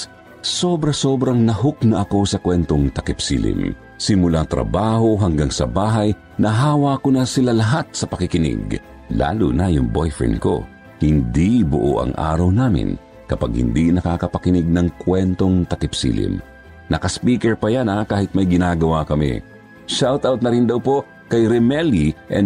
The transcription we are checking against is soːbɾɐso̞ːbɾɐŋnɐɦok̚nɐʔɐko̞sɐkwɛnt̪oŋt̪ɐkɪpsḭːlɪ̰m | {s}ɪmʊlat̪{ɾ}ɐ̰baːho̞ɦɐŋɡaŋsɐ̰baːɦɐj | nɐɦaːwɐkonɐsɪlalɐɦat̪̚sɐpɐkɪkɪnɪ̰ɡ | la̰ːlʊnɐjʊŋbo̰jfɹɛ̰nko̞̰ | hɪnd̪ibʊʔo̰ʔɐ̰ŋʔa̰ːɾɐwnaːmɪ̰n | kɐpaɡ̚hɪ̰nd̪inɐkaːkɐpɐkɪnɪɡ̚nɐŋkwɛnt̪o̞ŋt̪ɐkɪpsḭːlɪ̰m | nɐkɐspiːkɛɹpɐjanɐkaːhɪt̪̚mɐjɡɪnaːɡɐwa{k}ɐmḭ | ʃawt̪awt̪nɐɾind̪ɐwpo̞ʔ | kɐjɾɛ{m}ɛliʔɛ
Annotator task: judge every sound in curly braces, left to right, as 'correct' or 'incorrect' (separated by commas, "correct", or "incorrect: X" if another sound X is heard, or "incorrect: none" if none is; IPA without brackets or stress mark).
correct, correct, correct, correct